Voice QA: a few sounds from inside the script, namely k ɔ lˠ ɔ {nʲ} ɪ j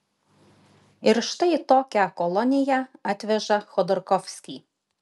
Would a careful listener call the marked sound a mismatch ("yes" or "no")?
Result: no